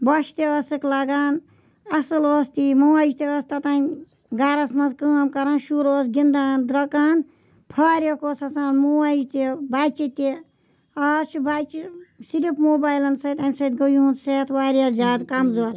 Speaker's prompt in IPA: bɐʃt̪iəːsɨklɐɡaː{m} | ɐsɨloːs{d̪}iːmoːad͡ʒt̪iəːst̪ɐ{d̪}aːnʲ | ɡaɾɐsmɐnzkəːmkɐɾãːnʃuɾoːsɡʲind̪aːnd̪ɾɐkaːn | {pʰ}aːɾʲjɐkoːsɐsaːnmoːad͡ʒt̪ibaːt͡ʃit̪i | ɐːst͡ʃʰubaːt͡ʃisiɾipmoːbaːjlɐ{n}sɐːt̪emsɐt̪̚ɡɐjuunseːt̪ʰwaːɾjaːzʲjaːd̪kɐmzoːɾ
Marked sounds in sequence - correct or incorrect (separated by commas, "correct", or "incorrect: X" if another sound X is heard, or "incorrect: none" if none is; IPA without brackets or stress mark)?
incorrect: n, incorrect: t̪, incorrect: t̪, correct, correct